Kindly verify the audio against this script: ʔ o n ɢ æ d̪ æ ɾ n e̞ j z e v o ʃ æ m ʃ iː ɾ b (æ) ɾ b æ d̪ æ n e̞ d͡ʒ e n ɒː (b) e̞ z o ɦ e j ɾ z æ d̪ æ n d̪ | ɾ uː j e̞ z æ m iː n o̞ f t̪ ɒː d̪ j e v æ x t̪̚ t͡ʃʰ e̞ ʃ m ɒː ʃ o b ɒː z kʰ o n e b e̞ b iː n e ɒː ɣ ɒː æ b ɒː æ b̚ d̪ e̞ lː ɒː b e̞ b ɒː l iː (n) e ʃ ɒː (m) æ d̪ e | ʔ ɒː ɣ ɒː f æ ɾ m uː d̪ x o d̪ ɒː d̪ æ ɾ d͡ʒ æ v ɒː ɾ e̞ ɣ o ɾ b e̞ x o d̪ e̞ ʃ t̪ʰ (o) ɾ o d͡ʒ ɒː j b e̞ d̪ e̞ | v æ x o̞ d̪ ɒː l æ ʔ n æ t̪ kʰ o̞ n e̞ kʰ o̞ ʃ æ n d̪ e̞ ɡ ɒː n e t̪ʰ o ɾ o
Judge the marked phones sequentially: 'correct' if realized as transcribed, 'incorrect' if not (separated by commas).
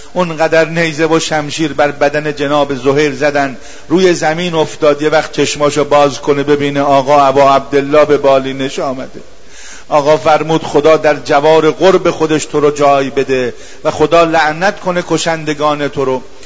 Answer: correct, correct, correct, correct, correct